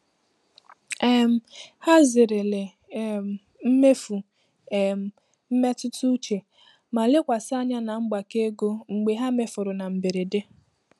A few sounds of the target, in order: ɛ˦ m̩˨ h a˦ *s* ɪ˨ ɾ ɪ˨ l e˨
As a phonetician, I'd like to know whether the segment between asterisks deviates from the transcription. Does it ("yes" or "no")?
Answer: yes